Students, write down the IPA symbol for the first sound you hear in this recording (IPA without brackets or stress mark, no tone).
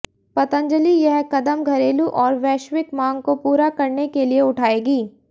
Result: p